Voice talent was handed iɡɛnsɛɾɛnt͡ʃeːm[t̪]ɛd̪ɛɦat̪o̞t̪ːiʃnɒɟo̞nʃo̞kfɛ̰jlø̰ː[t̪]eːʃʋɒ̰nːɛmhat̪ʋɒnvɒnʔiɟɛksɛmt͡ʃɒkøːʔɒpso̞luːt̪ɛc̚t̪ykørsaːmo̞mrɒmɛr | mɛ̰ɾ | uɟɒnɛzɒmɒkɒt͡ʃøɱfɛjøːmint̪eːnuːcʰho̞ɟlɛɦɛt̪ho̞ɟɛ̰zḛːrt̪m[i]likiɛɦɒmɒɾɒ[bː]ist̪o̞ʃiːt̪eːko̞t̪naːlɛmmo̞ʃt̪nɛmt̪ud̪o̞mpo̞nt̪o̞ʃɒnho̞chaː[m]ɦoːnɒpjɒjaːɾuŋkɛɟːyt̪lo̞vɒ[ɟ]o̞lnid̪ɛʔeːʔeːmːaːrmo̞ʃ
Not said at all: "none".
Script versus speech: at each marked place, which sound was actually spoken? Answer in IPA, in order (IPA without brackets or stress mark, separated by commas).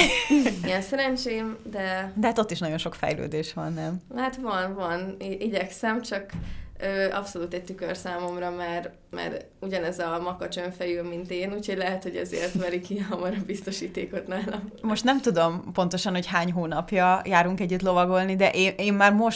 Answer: d̪, d̪, ɛ, b, ɲ, ɡ